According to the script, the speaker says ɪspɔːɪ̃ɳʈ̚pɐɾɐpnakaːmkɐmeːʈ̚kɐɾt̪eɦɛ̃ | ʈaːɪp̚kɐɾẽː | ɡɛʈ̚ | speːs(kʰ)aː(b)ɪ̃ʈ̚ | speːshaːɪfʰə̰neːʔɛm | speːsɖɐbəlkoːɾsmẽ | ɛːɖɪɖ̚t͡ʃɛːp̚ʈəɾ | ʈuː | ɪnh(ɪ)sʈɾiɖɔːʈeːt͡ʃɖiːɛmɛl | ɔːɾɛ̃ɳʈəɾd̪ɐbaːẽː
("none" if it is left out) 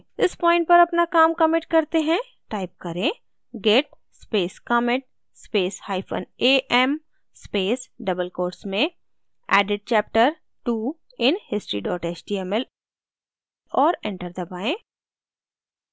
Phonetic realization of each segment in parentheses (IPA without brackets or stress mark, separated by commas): k, m, ɪ